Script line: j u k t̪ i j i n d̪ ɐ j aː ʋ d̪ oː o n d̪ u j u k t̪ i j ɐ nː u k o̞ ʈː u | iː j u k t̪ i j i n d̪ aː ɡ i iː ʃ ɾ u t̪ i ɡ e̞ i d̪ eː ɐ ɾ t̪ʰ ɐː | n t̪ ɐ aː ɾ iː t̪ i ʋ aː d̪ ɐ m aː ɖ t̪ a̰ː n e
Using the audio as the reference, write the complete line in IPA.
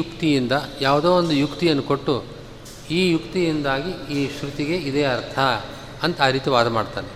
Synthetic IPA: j u k t̪ i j i n d̪ ɐ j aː ʋ d̪ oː o n d̪ u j u k t̪ i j ɐ nː u k o̞ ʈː u | iː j u k t̪ i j i n d̪ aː ɡ i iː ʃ ɾ u t̪ i ɡ e̞ i d̪ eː ɐ ɾ t̪ʰ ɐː | n t̪ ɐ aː ɾ iː t̪ i ʋ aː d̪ ɐ m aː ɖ t̪ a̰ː n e